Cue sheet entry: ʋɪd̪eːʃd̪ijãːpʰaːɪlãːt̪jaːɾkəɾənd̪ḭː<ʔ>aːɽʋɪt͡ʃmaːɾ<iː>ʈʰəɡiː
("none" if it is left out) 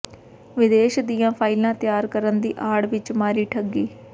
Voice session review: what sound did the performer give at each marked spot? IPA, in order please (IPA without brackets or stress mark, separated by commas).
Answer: ʔ, iː